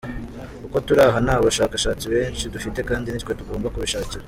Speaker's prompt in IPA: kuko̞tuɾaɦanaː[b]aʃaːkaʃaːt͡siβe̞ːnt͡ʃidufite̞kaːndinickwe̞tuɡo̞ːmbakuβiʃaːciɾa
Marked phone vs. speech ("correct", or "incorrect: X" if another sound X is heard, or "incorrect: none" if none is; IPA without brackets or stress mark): incorrect: β